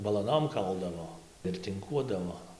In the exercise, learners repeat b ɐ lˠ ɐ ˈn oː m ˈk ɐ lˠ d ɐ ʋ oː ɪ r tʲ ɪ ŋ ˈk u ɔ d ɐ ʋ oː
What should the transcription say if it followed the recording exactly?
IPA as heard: b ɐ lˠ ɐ ˈn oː m ˈk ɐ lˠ d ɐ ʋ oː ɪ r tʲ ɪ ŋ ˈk u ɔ d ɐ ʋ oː